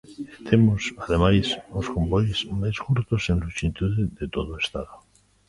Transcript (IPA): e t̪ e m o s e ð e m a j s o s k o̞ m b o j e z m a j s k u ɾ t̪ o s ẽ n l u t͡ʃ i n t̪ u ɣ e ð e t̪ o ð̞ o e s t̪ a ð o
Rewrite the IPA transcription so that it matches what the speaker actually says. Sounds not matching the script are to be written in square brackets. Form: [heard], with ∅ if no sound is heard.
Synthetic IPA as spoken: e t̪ e m o s [a] ð e m a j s o s k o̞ m b o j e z m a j s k u ɾ t̪ o s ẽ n l u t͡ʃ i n t̪ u [ð] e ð e t̪ o ð̞ o e s t̪ a ð o